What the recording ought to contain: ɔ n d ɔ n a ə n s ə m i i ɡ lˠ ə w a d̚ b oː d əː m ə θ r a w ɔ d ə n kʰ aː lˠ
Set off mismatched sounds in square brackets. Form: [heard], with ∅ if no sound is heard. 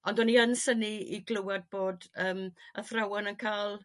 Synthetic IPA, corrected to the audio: ɔ n d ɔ n [i] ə n s ə [n] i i ɡ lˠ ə w a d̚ b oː d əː m ə θ r a w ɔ [n] ə n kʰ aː lˠ